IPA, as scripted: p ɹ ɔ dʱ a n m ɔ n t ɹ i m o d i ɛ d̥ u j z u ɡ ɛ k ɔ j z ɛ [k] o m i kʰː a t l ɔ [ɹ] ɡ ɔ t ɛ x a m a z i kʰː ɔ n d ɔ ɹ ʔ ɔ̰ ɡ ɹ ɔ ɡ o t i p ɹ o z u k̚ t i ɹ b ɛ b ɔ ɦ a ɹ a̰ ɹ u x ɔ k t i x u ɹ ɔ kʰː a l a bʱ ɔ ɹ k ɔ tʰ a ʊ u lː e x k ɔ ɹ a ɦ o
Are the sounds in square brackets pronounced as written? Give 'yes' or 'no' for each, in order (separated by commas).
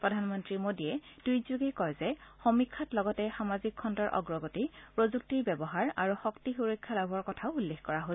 no, no